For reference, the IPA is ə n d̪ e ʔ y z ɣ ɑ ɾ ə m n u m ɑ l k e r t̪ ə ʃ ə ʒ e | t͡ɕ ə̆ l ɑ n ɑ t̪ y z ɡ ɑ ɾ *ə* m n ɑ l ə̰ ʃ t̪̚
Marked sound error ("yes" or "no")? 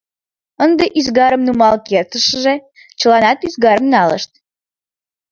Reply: no